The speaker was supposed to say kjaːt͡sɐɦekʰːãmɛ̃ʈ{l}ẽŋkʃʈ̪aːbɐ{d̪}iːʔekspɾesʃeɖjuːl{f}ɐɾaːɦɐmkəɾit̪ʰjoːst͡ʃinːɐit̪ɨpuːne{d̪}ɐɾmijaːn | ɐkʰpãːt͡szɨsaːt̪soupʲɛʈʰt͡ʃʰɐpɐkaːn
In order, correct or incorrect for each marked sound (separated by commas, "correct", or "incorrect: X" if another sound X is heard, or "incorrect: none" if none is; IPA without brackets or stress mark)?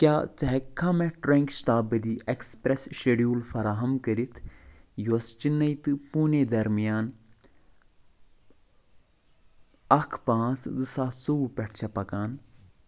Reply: incorrect: ɾ, correct, correct, correct